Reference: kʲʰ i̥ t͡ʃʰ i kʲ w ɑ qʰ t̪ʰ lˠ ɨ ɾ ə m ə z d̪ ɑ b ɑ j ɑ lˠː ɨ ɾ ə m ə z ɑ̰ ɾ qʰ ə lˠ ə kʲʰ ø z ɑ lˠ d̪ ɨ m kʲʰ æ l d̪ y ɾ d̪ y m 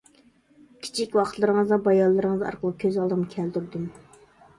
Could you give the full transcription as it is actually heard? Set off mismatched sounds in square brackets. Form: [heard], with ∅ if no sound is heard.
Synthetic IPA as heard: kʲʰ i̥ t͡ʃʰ i kʲ w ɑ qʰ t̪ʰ lˠ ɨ ɾ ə [ŋ] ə z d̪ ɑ b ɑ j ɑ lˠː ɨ ɾ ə [ŋ] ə z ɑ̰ ɾ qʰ ə lˠ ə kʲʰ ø z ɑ lˠ d̪ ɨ m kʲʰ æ l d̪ y ɾ d̪ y m